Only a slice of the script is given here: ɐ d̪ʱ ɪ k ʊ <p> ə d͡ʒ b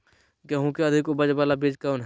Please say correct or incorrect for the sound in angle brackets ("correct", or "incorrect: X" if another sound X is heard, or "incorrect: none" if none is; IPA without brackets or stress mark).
incorrect: b